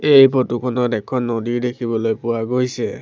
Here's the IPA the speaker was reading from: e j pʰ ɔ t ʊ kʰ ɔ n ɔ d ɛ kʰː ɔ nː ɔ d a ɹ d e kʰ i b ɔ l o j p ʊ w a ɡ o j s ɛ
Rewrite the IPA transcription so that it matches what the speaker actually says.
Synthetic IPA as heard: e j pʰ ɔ t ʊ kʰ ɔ n ɔ d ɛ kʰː ɔ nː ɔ d i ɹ d e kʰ i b ɔ l o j p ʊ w a ɡ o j s ɛ